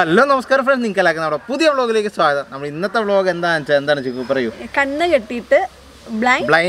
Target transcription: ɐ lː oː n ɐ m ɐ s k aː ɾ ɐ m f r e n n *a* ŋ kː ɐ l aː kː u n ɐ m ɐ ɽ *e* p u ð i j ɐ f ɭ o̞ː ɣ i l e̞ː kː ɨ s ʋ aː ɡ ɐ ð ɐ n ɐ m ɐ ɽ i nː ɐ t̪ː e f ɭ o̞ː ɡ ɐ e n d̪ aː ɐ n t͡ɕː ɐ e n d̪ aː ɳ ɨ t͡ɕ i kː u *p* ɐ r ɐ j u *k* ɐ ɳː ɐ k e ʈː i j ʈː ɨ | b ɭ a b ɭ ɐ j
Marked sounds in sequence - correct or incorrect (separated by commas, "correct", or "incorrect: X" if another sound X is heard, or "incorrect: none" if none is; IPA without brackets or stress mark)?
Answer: incorrect: i, correct, correct, correct